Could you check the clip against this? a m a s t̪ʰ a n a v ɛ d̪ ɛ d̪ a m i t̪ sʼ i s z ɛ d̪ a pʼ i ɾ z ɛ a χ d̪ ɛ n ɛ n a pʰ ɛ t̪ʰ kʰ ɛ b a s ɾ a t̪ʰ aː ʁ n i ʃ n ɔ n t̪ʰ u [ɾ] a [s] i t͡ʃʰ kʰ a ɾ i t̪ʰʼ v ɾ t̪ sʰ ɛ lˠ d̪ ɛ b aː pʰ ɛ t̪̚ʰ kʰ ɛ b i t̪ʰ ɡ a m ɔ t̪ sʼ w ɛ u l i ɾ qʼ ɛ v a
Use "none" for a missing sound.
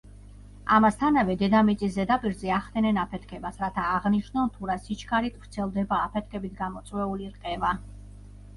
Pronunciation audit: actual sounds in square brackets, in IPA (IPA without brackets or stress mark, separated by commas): ɾ, s